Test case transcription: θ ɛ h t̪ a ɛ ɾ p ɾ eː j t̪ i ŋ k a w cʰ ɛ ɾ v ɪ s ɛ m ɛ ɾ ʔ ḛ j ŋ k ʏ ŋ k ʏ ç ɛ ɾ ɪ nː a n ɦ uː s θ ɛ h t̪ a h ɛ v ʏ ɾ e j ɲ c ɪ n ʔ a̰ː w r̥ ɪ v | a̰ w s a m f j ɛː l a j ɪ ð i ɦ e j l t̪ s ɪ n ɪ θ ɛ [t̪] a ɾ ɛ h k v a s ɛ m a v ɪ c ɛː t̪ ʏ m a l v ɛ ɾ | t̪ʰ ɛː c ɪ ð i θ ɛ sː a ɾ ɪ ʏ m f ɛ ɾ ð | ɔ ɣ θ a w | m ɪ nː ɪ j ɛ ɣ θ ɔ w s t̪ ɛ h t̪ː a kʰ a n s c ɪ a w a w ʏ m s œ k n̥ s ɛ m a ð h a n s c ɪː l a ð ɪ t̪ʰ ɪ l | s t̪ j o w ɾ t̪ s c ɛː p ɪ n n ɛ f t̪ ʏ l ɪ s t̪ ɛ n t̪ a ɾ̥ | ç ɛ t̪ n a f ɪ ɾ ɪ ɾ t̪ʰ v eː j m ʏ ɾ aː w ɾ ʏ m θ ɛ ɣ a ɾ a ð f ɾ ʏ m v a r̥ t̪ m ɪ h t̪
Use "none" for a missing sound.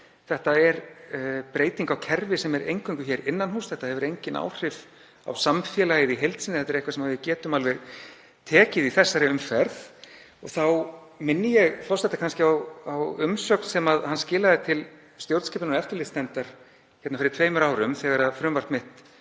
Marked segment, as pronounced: t̪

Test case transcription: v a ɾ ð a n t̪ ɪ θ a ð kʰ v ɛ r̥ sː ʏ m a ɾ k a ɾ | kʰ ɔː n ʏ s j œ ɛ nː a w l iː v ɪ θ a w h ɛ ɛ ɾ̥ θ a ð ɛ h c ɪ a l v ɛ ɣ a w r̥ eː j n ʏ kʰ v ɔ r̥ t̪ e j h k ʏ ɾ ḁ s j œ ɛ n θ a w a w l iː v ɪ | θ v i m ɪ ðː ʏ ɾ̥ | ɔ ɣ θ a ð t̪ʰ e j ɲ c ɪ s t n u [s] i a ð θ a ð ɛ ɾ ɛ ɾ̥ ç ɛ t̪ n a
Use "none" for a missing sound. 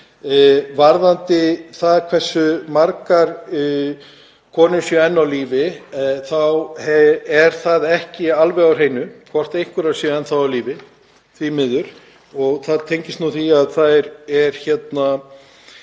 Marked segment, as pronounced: θ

